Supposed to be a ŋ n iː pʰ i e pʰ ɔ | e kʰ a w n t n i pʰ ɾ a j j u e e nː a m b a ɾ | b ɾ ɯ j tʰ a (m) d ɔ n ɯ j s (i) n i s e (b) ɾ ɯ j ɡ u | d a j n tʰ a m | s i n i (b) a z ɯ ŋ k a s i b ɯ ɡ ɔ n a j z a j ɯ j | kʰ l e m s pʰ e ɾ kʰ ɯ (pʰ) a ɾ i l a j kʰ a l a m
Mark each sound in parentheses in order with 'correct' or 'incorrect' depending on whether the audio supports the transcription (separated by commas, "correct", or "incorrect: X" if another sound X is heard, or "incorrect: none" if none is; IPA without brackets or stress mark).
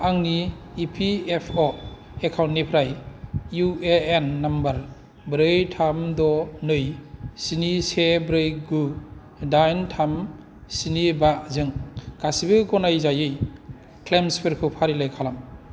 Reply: correct, correct, correct, correct, correct